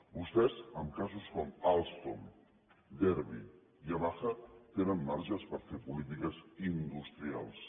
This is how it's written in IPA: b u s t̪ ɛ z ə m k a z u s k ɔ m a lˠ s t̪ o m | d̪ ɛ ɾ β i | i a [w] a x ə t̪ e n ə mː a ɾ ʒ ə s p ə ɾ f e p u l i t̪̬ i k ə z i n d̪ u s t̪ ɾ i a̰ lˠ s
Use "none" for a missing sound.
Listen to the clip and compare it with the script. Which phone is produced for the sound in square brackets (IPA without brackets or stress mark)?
β